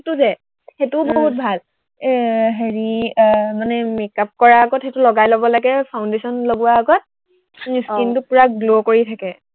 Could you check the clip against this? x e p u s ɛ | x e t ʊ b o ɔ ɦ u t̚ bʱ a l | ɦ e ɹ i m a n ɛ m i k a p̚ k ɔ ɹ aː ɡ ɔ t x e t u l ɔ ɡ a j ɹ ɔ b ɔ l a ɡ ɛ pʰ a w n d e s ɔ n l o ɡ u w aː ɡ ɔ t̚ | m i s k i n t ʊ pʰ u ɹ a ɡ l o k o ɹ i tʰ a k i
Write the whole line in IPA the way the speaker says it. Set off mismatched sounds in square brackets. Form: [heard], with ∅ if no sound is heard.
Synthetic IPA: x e [t] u [z] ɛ | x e t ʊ b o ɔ ɦ u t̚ bʱ a l | ɦ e ɹ i m a n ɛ m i k a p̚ k ɔ ɹ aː ɡ ɔ t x e t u l ɔ ɡ a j [l] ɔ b ɔ l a ɡ ɛ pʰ a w n d e s ɔ n l o ɡ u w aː ɡ ɔ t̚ | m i s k i n t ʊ [p] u ɹ a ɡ l o k o ɹ i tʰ a k [ɛ]